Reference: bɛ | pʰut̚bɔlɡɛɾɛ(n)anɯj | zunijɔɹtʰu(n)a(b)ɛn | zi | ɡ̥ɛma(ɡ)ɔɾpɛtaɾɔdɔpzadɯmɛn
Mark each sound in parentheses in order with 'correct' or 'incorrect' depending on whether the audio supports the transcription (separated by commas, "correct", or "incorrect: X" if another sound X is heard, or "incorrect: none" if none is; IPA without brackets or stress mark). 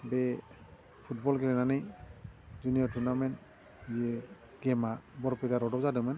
correct, correct, incorrect: m, incorrect: b